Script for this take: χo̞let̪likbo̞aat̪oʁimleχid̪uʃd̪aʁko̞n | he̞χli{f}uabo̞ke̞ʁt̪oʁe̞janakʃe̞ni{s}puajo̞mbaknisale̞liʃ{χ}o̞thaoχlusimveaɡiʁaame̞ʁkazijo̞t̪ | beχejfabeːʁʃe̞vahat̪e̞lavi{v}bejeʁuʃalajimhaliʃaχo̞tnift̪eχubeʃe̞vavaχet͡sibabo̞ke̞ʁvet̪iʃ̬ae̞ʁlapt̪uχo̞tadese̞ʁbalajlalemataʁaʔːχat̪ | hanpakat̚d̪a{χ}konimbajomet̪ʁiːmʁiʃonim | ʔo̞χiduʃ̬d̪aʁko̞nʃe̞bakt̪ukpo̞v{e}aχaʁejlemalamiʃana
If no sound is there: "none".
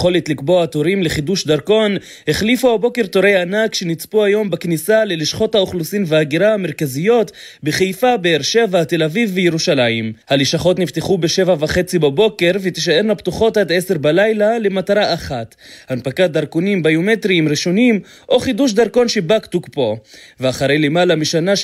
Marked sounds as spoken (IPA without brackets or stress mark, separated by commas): f, t͡s, χ, v, ʁ, e